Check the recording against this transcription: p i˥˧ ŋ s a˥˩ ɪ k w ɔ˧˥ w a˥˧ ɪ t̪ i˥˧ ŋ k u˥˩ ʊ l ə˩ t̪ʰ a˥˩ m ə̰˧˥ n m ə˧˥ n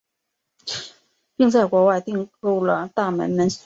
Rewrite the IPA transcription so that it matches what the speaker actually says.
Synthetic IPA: p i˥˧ ŋ t͡s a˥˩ ɪ k w ɔ˧˥ w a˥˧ ɪ t̪ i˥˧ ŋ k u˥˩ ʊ l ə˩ t̪ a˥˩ m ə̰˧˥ n m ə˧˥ n